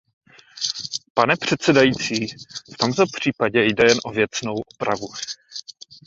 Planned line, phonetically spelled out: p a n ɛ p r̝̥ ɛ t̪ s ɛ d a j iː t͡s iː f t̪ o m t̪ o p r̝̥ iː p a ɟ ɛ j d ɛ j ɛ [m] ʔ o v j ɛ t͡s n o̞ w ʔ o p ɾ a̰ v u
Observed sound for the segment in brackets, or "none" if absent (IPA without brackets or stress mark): n